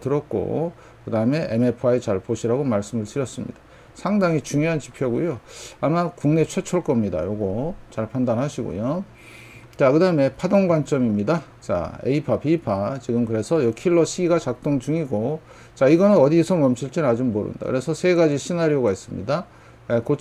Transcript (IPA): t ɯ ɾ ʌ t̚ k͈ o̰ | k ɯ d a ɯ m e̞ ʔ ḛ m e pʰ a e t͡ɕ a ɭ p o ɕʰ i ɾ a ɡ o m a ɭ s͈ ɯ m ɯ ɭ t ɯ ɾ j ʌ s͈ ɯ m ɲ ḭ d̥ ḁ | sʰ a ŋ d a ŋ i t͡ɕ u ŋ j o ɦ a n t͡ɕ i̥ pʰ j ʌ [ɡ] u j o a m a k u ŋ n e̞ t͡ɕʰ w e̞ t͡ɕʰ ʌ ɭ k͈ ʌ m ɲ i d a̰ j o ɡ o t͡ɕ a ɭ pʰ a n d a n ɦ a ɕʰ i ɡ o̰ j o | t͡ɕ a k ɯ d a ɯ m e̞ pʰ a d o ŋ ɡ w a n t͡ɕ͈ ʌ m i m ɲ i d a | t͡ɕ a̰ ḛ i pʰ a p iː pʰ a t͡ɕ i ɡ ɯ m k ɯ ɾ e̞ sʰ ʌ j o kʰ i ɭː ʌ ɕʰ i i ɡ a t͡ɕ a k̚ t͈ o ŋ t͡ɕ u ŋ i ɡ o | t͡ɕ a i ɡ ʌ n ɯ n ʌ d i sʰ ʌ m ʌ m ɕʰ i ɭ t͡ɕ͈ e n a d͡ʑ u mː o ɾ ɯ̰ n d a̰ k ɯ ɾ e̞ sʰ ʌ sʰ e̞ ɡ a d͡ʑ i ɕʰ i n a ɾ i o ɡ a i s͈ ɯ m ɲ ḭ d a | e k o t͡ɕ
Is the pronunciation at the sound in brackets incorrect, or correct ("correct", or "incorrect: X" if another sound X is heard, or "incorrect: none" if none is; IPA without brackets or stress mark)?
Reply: correct